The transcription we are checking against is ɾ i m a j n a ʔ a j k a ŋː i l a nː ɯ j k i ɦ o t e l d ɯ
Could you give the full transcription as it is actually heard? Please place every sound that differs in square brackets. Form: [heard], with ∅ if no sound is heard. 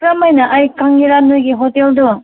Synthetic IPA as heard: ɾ [a] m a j n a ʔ a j k a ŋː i [ɾ] a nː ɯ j [ɡ] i ɦ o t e l d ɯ